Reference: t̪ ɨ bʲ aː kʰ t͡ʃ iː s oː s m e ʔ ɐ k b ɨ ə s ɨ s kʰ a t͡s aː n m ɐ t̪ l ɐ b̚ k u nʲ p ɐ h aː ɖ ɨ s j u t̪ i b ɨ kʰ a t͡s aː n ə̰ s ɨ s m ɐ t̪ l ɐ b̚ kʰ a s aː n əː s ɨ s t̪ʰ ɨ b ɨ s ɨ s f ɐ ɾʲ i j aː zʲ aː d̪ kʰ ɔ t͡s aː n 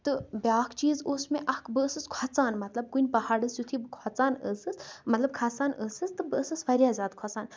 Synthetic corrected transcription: t̪ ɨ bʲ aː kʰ t͡ʃ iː z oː s m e ʔ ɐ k b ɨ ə s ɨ s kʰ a t͡s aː n m ɐ t̪ l ɐ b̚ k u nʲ p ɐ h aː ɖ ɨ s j u t̪ʰ i b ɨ kʰ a t͡s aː n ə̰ s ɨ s m ɐ t̪ l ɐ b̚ kʰ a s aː n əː s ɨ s t̪ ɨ b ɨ s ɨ s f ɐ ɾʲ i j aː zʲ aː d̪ kʰ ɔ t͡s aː n